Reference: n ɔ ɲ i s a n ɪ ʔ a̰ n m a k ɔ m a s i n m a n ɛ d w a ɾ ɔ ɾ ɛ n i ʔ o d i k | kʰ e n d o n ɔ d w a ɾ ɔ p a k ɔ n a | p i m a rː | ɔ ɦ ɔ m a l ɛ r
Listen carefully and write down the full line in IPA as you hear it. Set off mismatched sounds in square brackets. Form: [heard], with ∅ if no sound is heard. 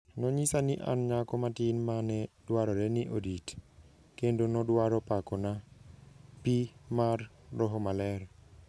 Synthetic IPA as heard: n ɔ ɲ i s a n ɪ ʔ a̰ n [ɲ] a k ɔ m a [t] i n m a n ɛ d w a ɾ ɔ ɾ ɛ n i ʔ o d i [t] | [k] e n d o n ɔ d w a ɾ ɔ p a k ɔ n a | p i m a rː | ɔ ɦ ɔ m a l ɛ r